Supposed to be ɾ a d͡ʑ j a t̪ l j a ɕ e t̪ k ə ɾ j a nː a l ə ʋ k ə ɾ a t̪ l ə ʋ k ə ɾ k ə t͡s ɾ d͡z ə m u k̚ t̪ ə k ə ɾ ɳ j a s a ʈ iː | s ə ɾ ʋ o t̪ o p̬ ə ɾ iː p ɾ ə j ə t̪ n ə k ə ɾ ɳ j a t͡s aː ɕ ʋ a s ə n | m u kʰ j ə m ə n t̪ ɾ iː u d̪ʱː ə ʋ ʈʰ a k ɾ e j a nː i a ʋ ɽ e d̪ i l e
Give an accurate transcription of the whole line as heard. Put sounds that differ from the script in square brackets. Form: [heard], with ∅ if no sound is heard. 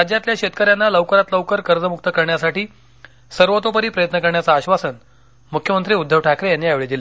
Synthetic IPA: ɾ a d͡ʑ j a t̪ l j a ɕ e t̪ k ə ɾ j a nː a l ə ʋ k ə ɾ a t̪ l ə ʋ k ə ɾ k ə [∅] ɾ d͡z ə m u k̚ t̪ ə k ə ɾ ɳ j a s a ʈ iː | s ə ɾ ʋ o t̪ o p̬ ə ɾ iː p ɾ ə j ə t̪ n ə k ə ɾ ɳ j a t͡s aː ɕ ʋ a s ə n | m u kʰ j ə m ə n t̪ ɾ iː u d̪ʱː ə ʋ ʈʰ a k ɾ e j a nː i a ʋ [ɭ] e d̪ i l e